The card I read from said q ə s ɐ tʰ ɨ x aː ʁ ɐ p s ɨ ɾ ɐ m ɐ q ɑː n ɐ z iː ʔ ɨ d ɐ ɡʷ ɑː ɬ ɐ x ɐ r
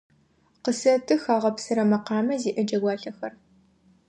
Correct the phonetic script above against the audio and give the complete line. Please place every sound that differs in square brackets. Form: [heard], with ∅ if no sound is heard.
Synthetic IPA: q ə s ɐ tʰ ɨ x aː ʁ ɐ p s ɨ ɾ ɐ m ɐ q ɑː [m] ɐ z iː ʔ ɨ [d͡ʒ] ɐ ɡʷ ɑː ɬ ɐ x ɐ r